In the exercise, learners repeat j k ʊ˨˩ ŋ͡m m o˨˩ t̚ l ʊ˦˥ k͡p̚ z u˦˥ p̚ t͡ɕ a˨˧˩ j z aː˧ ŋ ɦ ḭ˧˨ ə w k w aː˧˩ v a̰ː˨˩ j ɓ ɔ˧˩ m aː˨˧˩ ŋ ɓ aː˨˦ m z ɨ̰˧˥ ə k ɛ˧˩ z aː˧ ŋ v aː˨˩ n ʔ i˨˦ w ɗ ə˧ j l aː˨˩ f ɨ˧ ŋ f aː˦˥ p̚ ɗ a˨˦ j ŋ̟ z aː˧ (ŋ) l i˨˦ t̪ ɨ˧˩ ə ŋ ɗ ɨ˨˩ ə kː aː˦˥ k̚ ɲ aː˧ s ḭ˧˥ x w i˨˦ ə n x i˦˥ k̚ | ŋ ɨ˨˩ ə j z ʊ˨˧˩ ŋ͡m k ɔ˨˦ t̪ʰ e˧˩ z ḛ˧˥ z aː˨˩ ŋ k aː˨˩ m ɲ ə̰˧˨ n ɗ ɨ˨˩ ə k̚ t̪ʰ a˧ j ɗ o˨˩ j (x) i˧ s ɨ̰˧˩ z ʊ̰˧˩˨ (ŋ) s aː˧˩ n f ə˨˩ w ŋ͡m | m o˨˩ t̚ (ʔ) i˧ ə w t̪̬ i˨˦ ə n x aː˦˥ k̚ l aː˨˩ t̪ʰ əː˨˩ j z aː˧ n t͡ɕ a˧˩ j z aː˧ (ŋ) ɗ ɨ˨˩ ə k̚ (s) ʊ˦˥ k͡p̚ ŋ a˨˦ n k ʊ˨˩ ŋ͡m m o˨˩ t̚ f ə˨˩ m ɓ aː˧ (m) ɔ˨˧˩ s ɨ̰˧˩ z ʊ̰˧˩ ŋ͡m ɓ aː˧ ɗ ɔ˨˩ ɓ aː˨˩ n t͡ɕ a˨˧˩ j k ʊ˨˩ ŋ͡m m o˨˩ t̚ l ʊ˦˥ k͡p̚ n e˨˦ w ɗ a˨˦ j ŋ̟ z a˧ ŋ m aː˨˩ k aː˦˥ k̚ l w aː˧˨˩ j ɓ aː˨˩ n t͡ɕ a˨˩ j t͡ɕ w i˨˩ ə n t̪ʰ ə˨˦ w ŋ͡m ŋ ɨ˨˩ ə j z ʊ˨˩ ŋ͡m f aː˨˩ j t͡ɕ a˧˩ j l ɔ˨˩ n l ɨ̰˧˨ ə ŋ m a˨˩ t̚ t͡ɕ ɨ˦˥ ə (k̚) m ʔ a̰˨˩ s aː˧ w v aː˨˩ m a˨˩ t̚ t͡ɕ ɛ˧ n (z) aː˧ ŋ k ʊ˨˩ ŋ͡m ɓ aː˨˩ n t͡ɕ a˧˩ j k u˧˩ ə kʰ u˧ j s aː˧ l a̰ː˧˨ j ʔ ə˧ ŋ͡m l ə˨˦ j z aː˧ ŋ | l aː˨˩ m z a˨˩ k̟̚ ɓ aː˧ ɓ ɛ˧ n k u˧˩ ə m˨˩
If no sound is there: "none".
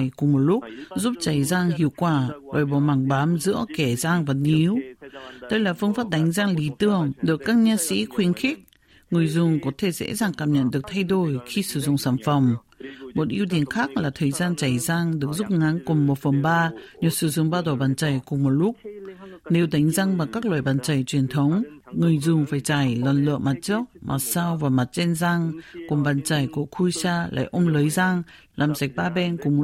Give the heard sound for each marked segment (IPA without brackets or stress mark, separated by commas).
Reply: ŋ, x, ŋ͡m, ʔ, ŋ, z, ɲ, k̚, z